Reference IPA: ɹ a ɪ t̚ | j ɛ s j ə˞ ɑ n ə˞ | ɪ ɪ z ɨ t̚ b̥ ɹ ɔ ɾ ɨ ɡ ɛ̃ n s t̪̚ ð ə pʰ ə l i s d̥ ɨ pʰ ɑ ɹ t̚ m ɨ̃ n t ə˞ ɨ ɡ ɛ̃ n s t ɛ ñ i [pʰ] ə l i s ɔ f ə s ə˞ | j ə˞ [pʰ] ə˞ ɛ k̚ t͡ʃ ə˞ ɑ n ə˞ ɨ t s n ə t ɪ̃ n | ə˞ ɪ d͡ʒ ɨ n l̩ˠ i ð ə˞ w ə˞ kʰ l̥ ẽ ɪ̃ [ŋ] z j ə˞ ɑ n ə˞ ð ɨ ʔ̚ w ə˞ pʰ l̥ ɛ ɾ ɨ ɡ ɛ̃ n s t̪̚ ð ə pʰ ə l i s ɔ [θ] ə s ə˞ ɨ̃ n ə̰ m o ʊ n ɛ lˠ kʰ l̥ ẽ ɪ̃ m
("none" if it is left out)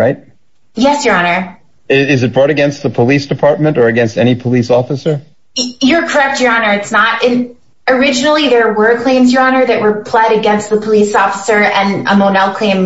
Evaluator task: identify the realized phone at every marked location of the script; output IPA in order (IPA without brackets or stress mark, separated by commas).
pʰ, kʰ, m, f